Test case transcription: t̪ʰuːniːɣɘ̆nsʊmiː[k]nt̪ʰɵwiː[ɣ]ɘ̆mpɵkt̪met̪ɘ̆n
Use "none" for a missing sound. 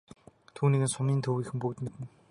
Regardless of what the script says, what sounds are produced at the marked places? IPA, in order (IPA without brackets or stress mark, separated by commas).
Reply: none, x